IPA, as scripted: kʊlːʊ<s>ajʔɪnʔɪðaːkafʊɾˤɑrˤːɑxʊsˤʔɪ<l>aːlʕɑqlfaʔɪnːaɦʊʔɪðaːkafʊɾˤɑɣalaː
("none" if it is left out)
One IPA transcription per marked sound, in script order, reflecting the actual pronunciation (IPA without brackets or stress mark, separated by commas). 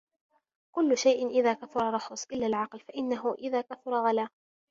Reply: ʃ, lː